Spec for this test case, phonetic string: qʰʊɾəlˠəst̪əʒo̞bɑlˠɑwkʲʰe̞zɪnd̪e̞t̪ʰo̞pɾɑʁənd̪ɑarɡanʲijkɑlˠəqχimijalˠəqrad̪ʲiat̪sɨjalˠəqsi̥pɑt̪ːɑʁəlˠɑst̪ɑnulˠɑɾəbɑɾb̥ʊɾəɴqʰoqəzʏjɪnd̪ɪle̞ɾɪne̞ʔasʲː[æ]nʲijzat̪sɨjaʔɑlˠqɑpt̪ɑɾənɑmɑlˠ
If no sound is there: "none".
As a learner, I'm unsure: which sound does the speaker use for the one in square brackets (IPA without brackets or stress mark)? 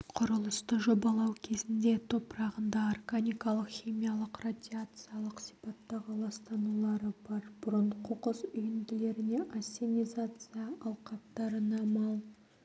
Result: e